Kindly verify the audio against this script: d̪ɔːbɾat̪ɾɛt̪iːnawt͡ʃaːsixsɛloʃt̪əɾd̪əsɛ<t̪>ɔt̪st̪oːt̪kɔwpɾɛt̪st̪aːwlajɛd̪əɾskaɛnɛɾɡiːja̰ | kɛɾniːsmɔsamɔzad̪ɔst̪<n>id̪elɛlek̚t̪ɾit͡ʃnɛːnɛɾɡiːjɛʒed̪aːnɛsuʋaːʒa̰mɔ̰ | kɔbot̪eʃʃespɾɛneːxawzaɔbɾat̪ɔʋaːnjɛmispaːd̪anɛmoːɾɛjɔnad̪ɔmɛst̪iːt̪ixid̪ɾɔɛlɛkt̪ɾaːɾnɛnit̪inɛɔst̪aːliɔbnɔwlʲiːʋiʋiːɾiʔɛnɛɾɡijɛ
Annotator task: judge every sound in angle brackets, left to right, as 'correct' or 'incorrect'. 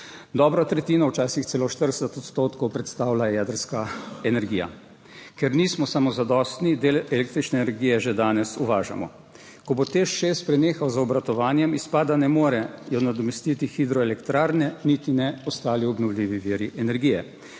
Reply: correct, correct

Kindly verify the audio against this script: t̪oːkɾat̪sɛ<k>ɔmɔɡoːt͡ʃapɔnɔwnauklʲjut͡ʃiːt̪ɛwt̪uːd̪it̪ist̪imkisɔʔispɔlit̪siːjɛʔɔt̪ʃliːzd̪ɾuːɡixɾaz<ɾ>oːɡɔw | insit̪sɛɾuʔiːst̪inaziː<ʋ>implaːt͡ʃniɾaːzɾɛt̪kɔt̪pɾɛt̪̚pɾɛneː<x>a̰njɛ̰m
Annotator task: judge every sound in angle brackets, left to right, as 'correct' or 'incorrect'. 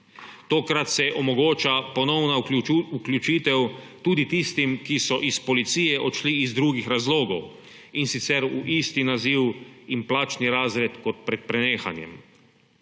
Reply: incorrect, incorrect, incorrect, correct

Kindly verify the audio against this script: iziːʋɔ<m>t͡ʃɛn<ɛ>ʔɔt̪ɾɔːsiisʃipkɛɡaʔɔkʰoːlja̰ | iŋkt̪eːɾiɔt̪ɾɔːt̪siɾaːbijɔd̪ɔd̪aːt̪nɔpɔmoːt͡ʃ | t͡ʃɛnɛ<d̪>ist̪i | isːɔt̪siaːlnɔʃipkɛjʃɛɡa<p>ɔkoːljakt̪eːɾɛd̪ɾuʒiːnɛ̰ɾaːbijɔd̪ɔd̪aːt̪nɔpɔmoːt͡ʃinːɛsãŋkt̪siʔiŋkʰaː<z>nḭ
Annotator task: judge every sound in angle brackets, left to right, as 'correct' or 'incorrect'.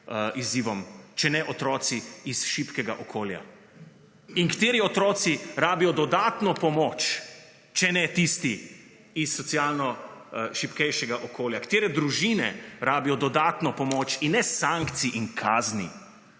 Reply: correct, correct, incorrect, incorrect, correct

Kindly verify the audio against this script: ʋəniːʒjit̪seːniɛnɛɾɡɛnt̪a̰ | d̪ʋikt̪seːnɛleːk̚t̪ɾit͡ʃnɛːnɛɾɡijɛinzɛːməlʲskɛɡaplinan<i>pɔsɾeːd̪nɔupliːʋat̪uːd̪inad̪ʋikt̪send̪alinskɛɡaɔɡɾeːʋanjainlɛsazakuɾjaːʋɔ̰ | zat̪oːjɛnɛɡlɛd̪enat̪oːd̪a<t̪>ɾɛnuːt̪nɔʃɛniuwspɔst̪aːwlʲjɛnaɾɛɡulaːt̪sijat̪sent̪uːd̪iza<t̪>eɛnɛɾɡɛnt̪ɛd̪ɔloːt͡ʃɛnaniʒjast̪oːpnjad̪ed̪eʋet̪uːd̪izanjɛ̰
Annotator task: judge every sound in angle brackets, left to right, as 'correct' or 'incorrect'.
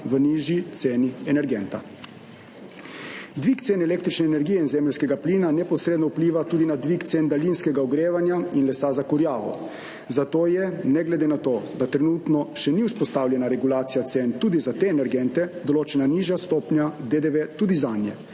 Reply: incorrect, correct, correct

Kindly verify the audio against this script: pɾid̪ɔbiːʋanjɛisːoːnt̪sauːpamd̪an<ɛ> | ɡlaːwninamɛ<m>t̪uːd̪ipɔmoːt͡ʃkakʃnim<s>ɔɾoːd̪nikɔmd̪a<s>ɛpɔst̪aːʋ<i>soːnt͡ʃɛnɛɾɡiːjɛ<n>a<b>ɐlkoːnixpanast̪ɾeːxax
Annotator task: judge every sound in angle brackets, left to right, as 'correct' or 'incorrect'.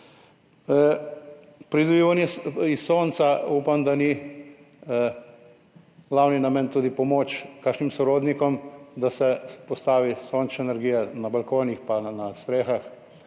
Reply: incorrect, incorrect, correct, correct, correct, correct, correct

